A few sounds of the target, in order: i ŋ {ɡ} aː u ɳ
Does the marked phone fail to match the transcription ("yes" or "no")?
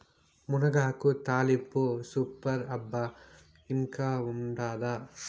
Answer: yes